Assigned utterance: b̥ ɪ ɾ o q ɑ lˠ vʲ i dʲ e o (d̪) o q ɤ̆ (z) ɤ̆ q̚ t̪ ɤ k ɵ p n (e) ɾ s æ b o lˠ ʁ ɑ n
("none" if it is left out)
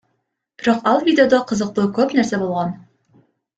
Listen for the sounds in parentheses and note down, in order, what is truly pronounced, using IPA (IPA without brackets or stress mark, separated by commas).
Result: d̪, z, æ